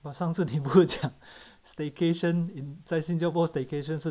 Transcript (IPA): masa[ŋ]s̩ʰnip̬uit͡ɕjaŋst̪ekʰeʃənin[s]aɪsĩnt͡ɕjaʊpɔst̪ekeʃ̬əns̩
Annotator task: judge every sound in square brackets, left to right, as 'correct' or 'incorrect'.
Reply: correct, incorrect: t͡s

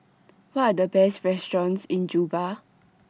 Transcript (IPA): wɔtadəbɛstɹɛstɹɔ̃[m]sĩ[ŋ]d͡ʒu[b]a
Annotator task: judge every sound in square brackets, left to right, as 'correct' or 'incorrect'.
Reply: incorrect: n, incorrect: n, correct

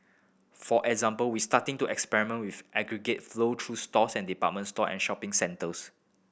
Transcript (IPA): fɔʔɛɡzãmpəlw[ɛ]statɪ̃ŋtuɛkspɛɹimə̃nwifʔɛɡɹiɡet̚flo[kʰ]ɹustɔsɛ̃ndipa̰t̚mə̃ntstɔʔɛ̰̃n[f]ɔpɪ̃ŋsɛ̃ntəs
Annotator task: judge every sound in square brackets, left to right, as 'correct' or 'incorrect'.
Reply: incorrect: i, incorrect: tʰ, incorrect: ʃ

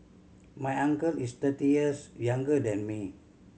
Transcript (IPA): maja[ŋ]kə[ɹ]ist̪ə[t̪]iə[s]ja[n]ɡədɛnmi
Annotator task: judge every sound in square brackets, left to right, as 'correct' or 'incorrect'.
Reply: correct, incorrect: l, correct, correct, incorrect: ŋ

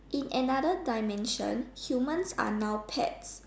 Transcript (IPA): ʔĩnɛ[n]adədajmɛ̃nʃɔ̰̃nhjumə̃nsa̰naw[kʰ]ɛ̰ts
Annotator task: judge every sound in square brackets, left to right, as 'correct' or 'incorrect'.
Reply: correct, incorrect: pʰ

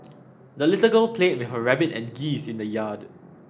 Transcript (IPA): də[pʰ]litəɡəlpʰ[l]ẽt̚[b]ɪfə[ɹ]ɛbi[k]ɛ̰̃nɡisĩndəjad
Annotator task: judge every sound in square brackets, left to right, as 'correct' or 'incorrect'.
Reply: incorrect: none, correct, incorrect: w, correct, incorrect: t

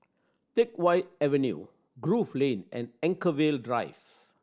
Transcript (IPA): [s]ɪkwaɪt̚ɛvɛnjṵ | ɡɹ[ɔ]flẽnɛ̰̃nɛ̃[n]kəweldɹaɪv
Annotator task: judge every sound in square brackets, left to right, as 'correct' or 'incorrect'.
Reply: incorrect: t, incorrect: u, incorrect: ŋ

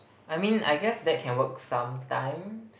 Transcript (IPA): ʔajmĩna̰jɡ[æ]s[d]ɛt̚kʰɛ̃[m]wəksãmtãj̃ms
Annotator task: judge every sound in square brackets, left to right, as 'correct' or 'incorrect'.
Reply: incorrect: ɛ, correct, incorrect: n

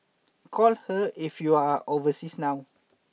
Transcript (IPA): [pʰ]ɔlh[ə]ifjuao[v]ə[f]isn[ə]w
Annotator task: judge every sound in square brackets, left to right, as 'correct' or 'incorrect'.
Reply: incorrect: kʰ, correct, correct, incorrect: s, incorrect: a

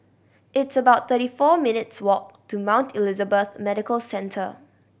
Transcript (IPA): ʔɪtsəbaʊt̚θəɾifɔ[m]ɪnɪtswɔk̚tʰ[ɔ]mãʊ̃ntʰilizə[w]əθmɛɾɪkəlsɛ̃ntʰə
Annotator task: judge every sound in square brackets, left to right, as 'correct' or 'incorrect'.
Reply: correct, incorrect: u, incorrect: b

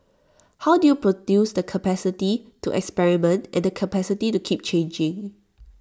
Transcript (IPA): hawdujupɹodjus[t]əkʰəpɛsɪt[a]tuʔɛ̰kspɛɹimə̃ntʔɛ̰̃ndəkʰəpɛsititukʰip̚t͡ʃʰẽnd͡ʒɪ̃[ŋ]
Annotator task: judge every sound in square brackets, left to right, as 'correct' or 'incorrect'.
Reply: incorrect: d, incorrect: i, correct

